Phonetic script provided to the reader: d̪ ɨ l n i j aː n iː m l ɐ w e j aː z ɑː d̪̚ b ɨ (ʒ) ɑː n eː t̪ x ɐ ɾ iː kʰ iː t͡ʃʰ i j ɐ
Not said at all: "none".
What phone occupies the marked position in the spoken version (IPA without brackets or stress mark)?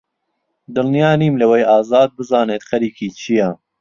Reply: z